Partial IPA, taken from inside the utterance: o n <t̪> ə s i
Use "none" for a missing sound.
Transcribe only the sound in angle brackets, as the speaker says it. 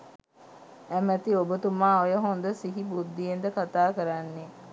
d̪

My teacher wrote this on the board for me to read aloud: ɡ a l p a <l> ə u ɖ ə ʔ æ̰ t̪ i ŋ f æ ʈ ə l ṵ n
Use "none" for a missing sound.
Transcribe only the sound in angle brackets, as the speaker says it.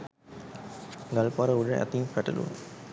ɾ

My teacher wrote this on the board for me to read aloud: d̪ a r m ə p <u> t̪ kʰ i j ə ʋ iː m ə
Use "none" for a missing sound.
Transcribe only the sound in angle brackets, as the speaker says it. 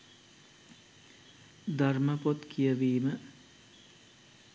o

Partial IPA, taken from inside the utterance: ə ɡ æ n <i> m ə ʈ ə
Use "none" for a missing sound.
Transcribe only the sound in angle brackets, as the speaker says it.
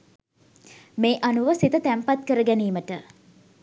iː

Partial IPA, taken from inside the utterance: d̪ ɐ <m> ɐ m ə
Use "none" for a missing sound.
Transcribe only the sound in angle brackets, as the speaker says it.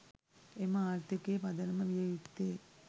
n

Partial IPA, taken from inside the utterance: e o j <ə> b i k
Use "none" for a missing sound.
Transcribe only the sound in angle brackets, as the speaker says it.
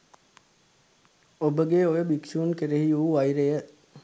ə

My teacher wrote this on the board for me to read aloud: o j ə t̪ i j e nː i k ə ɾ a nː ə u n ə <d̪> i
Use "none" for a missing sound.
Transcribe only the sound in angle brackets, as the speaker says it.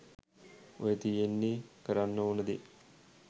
d̪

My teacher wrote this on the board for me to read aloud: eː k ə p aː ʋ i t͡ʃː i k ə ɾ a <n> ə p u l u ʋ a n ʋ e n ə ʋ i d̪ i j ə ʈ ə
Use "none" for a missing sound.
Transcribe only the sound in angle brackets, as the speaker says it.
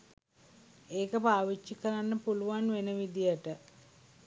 nː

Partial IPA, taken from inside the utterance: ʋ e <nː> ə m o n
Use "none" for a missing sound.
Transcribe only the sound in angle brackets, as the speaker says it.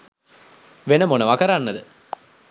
n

